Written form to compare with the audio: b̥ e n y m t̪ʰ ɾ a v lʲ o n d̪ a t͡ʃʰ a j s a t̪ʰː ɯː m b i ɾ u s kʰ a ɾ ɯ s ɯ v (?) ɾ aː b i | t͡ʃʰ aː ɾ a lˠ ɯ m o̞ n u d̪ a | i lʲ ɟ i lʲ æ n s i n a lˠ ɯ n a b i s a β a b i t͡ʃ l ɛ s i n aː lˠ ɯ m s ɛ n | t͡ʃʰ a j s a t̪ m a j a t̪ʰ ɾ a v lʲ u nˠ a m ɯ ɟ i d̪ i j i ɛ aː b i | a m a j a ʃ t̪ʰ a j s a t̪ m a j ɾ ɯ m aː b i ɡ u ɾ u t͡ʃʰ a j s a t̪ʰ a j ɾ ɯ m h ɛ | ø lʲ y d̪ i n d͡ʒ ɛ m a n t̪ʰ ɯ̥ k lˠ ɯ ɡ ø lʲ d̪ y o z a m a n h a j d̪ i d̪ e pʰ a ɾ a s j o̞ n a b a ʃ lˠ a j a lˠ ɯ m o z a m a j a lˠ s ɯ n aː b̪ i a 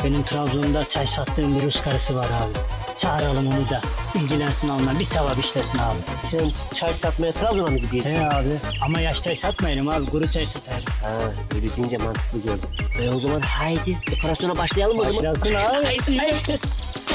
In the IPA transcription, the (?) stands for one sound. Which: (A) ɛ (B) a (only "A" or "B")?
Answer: B